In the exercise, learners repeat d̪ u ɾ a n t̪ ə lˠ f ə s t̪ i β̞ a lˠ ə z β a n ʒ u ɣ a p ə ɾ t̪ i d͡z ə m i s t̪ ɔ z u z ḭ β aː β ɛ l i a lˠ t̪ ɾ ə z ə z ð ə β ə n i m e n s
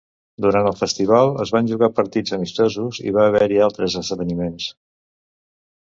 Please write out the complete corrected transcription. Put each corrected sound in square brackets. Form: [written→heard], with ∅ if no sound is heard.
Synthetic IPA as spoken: d̪ u ɾ a n t̪ ə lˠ f ə s t̪ i β̞ a lˠ ə z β a n ʒ u ɣ a p ə ɾ t̪ i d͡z ə m i s t̪ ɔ z u z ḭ β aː β ɛ [l→ɾ] i a lˠ t̪ ɾ ə z ə z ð ə β ə n i m e n s